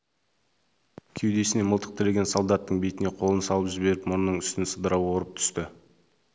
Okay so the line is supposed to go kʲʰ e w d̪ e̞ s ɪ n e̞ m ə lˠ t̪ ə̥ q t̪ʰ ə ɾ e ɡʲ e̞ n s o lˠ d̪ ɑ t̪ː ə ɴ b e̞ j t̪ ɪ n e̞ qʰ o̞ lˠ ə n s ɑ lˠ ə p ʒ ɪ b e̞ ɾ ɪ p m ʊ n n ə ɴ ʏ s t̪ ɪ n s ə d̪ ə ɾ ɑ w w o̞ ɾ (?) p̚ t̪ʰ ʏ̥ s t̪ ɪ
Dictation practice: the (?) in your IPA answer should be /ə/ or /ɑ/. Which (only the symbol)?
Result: ə